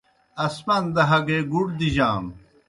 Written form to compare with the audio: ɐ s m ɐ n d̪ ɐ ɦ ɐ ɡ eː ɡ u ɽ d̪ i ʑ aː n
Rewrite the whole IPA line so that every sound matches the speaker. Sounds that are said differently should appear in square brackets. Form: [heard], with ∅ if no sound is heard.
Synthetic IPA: ɐ s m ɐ n d̪ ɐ ɦ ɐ ɡ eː ɡ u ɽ d̪ i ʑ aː [m]